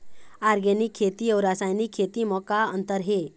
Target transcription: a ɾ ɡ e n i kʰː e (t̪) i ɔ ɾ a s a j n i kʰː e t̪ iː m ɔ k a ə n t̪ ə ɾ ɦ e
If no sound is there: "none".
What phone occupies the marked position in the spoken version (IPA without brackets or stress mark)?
t̪